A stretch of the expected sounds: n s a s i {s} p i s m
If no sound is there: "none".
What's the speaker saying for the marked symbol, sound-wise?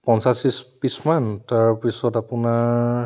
s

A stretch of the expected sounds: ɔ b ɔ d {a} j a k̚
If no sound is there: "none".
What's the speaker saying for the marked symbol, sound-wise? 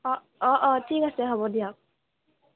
i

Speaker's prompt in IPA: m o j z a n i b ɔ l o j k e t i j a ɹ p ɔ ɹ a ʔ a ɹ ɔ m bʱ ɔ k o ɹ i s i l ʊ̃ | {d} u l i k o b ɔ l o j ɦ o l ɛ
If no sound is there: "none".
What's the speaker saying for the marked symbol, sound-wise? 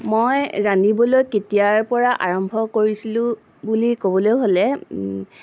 b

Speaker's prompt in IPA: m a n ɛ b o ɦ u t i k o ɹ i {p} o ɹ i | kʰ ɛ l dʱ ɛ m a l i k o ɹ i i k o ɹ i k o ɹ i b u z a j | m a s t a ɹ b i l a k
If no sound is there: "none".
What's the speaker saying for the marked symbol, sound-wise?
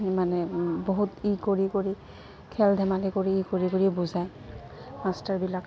k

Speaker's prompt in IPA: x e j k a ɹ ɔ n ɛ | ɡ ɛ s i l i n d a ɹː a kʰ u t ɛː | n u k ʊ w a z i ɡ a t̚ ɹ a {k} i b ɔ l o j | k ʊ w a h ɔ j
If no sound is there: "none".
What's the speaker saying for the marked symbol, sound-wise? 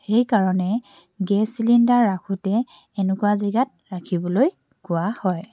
kʰ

